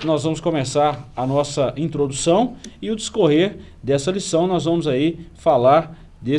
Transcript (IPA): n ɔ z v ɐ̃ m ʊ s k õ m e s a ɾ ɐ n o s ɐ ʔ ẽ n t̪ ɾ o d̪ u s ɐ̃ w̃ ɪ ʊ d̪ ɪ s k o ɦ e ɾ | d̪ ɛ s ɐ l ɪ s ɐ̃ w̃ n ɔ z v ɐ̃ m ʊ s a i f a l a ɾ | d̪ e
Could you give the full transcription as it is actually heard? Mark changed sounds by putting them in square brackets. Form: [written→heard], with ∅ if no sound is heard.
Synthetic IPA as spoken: n ɔ z v ɐ̃ m ʊ s k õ m e s a ɾ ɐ n [o→ɔ] s ɐ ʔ [ẽ→ĩ] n t̪ ɾ o d̪ u s ɐ̃ w̃ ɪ ʊ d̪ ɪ s k o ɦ e ɾ | d̪ ɛ s ɐ l [ɪ→i] s ɐ̃ w̃ n ɔ z v ɐ̃ m ʊ [s→z] a i f a l a ɾ | d̪ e